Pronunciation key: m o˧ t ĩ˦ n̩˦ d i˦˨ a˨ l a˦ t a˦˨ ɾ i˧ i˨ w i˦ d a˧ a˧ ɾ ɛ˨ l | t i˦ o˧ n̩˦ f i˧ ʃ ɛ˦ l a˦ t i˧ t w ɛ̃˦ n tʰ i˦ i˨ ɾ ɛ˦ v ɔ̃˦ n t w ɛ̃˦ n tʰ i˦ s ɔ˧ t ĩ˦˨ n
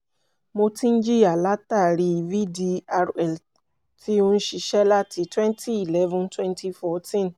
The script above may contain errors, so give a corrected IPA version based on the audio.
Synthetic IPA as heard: m o˧ t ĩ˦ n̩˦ d͡ʒ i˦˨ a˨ l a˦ t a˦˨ ɾ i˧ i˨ v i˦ d i˧ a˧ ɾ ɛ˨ l | t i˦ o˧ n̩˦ ʃ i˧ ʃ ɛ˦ l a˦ t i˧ t w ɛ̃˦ n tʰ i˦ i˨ l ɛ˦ v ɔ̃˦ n t w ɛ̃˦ n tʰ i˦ f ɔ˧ t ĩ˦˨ n